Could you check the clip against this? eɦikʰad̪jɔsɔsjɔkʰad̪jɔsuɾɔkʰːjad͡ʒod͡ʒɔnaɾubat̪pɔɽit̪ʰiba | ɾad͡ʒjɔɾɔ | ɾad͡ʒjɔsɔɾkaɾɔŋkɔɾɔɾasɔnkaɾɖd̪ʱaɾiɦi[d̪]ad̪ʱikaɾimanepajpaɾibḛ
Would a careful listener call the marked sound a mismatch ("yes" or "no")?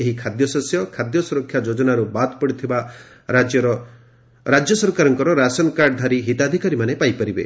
yes